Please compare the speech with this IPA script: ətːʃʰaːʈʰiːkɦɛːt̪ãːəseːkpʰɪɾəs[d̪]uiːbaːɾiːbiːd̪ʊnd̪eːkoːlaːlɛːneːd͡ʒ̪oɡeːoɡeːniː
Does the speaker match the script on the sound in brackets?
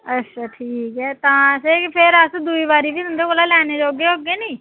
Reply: yes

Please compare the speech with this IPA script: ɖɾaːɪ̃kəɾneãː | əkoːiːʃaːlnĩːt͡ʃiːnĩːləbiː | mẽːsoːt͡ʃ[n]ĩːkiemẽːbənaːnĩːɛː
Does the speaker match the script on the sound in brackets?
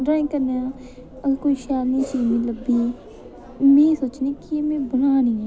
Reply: yes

